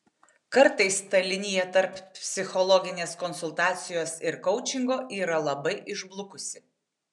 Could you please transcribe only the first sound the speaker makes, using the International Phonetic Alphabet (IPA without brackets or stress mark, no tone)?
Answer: k